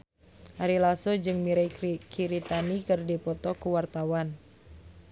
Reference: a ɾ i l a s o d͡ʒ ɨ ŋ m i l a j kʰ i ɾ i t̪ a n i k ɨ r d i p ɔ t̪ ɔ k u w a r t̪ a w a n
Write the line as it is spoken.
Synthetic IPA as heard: a ɾ i l a s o d͡ʒ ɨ ŋ m i ɾ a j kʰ i ɾ i t̪ a n i k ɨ r d i p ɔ t̪ ɔ k u w a r t̪ a w a n